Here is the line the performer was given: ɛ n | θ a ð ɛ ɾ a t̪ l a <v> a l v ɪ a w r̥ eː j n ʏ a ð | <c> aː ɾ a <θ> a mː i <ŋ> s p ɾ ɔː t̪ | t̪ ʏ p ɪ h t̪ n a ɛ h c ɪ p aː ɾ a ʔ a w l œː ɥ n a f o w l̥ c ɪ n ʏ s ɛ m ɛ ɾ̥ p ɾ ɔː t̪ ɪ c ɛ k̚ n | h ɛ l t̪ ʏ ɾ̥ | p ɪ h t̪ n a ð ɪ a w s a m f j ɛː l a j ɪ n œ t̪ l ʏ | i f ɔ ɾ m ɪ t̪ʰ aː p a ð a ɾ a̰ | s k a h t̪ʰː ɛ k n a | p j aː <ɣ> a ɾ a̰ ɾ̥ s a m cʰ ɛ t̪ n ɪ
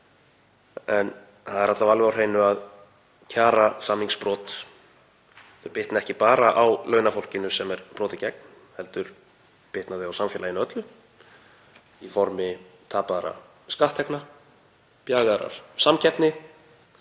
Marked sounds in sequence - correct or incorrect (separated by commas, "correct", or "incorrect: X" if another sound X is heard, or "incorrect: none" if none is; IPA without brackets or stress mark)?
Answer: correct, incorrect: cʰ, incorrect: s, correct, correct